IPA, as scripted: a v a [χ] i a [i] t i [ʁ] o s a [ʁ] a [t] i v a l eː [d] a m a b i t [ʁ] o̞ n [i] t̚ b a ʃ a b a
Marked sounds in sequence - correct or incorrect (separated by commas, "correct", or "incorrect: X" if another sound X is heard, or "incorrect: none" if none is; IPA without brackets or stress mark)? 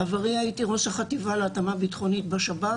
incorrect: ʁ, correct, correct, incorrect: χ, correct, incorrect: t, incorrect: χ, correct